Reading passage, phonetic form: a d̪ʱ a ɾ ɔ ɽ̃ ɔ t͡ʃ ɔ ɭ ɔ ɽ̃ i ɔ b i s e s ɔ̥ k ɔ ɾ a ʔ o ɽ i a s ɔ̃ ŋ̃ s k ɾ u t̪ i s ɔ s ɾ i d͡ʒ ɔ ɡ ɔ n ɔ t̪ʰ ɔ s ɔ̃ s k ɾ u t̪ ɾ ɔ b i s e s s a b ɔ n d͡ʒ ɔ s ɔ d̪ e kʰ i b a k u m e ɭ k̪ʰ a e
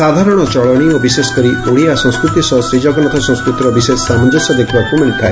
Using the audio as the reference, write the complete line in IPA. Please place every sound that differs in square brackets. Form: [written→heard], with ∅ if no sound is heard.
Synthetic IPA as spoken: a d̪ʱ a ɾ ɔ ɽ̃ ɔ t͡ʃ ɔ ɭ ɔ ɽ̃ i ɔ b i s e s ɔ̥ k ɔ ɾ [a→i] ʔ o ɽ i a s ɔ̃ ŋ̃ s k ɾ u t̪ i s ɔ s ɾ i d͡ʒ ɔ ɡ ɔ n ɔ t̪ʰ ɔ s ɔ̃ s k ɾ u t̪ ɾ ɔ b i s e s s a [b→m] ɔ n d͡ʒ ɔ s ɔ d̪ e kʰ i b a k u m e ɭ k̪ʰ a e